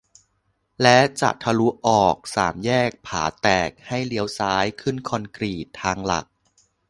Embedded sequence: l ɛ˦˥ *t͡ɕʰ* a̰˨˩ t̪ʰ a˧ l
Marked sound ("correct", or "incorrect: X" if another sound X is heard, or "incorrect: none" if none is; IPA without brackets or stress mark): incorrect: t͡ɕ